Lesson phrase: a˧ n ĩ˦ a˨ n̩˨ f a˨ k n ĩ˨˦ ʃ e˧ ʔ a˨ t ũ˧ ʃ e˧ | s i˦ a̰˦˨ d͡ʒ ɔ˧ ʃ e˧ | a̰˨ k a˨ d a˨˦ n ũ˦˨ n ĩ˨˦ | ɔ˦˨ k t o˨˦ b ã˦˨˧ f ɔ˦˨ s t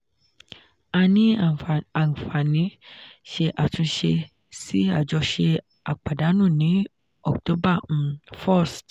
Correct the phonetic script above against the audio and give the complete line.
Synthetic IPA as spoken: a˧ n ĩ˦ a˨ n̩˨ f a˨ n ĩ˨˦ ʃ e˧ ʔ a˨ t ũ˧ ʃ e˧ | s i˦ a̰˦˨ d͡ʒ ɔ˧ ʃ e˧ | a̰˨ k͡p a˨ d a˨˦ n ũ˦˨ n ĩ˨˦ | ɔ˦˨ k t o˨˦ b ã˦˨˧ f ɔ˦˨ s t

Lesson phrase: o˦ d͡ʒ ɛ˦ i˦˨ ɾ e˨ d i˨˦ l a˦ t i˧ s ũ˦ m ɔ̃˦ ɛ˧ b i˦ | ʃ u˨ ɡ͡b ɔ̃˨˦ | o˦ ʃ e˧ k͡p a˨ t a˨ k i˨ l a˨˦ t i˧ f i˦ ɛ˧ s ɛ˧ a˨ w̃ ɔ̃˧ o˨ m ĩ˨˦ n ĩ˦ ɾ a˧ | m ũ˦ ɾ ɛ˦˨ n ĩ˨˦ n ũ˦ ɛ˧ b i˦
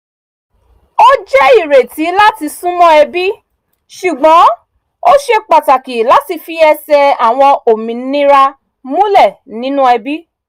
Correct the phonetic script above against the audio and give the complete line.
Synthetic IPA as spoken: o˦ d͡ʒ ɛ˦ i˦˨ ɾ e˨ t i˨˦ l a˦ t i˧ s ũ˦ m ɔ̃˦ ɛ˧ b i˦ | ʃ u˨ ɡ͡b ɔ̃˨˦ | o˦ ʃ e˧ k͡p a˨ t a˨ k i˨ l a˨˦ t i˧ f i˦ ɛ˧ s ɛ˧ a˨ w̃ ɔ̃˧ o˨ m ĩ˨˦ n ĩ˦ ɾ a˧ | m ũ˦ l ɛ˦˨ n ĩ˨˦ n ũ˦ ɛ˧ b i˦

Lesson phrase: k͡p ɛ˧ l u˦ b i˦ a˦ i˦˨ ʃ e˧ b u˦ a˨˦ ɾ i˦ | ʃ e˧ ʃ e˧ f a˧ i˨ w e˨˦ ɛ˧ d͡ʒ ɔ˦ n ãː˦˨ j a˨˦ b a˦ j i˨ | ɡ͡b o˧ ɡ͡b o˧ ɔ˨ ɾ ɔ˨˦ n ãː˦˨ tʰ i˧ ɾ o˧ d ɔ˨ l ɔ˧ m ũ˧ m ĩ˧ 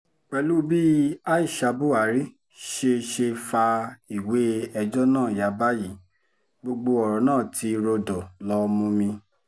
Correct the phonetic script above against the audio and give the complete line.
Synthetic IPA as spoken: k͡p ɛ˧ l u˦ b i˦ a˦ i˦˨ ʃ a˧ b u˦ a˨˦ ɾ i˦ | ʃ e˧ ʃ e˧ f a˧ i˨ w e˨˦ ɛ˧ d͡ʒ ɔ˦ n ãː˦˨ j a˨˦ b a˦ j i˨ | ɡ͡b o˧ ɡ͡b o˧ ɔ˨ ɾ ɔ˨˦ n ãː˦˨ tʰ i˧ ɾ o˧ d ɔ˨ l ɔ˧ m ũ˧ m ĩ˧

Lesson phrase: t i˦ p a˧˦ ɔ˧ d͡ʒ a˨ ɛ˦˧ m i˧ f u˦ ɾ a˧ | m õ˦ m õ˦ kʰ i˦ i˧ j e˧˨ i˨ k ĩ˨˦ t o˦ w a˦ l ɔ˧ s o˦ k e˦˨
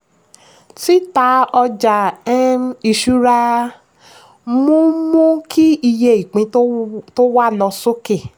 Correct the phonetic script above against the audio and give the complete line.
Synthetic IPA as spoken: t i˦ t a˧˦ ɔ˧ d͡ʒ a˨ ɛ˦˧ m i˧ ʃ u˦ ɾ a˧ | m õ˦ m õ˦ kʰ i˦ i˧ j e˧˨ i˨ k͡p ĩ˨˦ t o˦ w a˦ l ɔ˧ s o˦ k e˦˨

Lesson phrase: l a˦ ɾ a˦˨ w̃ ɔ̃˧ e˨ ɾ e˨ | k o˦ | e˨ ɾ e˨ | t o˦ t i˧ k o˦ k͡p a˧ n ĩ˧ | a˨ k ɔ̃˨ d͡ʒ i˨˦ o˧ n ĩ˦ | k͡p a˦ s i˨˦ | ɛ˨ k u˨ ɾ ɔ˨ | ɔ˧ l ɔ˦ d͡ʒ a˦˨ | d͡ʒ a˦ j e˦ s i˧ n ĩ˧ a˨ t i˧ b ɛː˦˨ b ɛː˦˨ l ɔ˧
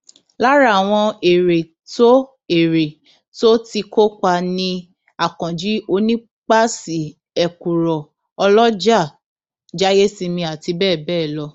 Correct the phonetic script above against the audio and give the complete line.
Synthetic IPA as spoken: l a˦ ɾ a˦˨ w̃ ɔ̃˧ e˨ ɾ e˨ | t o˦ | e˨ ɾ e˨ | t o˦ t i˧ k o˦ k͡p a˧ n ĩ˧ | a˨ k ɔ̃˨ d͡ʒ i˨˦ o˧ n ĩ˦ | k͡p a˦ s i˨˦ | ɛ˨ k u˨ ɾ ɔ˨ | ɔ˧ l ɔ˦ d͡ʒ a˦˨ | d͡ʒ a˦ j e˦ s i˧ m ĩ˧ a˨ t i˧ b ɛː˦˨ b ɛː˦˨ l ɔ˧

